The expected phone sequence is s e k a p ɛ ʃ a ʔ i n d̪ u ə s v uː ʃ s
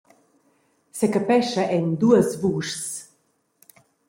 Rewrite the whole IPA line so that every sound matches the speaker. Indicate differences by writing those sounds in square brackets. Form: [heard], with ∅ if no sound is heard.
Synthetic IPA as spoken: s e k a p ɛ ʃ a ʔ [ɛ] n d̪ u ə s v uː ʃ s